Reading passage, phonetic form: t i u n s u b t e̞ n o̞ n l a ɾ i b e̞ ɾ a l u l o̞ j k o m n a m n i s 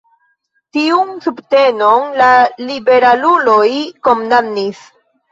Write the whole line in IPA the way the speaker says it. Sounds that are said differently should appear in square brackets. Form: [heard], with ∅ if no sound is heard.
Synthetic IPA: t i u n s u b t e̞ n o̞ n l a [l] i b e̞ ɾ a l u l o̞ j k o m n a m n i s